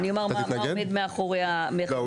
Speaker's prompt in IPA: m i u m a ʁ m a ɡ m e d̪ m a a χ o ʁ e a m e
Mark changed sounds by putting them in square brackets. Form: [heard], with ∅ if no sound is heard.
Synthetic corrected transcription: [n] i [o] m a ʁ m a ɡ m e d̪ m [e] a χ o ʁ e a m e